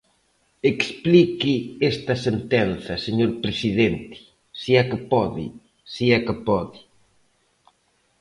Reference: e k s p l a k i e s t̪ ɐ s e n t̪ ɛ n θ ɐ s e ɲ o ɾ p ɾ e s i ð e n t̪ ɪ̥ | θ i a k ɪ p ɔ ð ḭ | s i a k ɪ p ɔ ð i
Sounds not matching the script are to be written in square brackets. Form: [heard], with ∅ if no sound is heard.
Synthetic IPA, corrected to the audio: e k s p l [i] k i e s t̪ ɐ s e n t̪ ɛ n θ ɐ s e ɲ o ɾ p ɾ e s i ð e n t̪ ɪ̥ | [s] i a k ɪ p ɔ ð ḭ | s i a k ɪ p ɔ ð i